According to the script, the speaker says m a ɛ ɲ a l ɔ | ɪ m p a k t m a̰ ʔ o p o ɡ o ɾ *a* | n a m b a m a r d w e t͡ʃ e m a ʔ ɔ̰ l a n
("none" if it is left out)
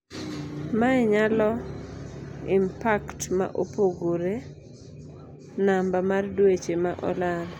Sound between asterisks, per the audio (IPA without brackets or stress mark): e